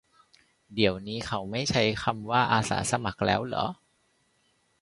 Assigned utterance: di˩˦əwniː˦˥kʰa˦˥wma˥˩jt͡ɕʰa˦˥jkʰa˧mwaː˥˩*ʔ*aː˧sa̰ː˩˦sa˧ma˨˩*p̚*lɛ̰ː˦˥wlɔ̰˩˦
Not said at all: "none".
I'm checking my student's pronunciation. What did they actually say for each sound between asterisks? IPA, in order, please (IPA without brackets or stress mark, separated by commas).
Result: ʔ, k̚